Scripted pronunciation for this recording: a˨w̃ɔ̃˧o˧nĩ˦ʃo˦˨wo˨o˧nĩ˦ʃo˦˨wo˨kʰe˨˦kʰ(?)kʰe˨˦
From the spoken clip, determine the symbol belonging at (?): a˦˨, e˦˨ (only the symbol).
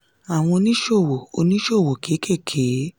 e˦˨